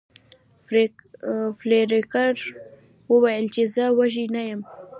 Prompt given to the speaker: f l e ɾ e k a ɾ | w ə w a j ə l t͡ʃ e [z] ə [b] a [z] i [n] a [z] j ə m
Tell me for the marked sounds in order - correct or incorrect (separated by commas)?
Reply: correct, incorrect, incorrect, correct, incorrect